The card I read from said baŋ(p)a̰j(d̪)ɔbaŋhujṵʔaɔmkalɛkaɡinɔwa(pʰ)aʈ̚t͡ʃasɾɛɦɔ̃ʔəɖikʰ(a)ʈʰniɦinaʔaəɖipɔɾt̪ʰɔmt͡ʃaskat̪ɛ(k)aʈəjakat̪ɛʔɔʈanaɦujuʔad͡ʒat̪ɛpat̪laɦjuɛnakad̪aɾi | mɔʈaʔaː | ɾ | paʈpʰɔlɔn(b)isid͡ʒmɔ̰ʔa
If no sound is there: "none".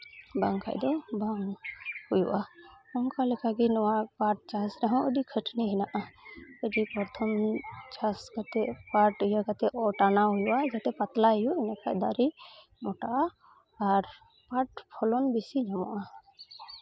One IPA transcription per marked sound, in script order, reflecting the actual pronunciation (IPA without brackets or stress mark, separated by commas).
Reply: k, d̪, p, ə, p, b